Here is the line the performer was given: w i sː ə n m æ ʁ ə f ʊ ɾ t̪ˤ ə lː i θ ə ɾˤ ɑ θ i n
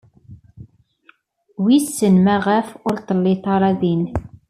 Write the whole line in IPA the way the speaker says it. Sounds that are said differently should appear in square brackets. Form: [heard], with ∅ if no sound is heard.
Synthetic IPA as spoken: w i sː ə n m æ ʁ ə f ʊ ɾ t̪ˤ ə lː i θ [ɑ] ɾˤ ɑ [ð] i n